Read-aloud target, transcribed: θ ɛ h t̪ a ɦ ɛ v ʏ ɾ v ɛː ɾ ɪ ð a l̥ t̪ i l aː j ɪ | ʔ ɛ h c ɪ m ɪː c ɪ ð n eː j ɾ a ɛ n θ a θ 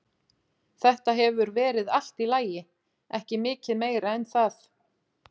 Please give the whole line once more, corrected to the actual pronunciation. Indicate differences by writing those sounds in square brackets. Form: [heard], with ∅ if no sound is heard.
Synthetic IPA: θ ɛ h t̪ a ɦ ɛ v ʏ ɾ v ɛː ɾ ɪ ð a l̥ t̪ i l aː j ɪ | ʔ ɛ h c ɪ m ɪː c ɪ ð [m] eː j ɾ a ɛ n θ a θ